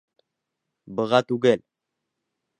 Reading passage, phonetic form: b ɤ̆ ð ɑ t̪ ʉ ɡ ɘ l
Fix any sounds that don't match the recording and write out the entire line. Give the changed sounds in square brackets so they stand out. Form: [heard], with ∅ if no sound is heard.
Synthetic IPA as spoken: b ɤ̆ [ʁ] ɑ t̪ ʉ ɡ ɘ l